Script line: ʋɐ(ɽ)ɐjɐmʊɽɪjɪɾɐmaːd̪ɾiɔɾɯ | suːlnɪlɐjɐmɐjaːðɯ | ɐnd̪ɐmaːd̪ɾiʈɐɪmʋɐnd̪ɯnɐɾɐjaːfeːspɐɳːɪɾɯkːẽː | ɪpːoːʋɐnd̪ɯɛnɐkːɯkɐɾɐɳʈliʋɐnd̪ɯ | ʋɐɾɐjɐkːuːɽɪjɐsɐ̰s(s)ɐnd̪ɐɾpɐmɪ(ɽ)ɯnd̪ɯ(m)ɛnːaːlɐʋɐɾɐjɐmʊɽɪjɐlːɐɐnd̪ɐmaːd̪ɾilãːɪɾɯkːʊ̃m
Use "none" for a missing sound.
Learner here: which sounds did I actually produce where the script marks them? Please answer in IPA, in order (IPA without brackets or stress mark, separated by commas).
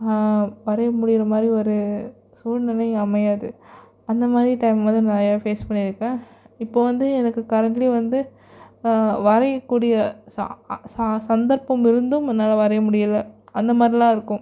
ɾ, s, ɾ, m